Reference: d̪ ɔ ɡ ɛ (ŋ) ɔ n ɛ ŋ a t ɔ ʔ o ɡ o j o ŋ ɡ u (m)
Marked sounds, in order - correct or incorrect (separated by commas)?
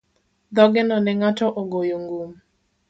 incorrect, correct